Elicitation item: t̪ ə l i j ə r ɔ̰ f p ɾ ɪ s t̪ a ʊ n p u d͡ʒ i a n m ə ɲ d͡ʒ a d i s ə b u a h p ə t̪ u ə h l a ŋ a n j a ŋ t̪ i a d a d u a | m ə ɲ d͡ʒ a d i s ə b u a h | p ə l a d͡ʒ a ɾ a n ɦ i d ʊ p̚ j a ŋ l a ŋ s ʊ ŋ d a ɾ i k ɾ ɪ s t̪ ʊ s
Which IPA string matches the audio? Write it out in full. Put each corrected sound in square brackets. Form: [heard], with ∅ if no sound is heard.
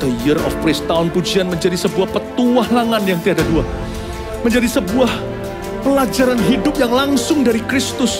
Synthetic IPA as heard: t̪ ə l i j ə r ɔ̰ f p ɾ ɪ s t̪ a ʊ n p u d͡ʒ i a n m ə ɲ d͡ʒ a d i s ə b u a h p ə t̪ u [a] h l a ŋ a n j a ŋ t̪ i a d a d u a | m ə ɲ d͡ʒ a d i s ə b u a h | p ə l a d͡ʒ a ɾ a n ɦ i d ʊ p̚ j a ŋ l a ŋ s ʊ ŋ d a ɾ i k ɾ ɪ s t̪ ʊ s